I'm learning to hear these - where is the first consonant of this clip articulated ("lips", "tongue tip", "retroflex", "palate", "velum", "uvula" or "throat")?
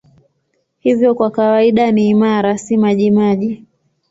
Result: throat